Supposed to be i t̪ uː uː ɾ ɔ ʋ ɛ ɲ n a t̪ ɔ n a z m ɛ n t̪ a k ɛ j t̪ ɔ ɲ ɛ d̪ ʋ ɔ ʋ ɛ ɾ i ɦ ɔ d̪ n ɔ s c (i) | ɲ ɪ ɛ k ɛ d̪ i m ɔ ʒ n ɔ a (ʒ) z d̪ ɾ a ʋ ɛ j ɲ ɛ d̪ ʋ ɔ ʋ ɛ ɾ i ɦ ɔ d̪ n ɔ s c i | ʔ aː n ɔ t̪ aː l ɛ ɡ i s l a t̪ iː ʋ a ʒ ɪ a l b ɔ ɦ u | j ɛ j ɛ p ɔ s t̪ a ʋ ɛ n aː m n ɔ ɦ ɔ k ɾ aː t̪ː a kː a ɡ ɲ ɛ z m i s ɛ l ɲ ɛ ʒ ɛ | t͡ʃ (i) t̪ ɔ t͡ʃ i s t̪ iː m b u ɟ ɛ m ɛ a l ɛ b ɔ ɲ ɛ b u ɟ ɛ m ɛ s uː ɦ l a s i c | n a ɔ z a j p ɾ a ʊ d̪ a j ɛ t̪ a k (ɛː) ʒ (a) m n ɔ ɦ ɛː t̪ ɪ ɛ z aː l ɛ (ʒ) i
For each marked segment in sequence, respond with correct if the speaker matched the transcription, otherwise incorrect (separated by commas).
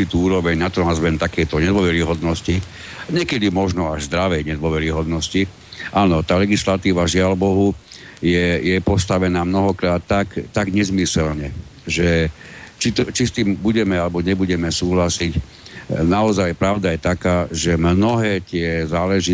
correct, correct, correct, incorrect, incorrect, correct